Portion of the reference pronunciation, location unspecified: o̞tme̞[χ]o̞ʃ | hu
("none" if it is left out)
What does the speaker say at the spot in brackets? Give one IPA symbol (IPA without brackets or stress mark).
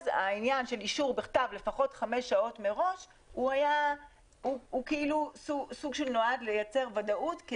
ʁ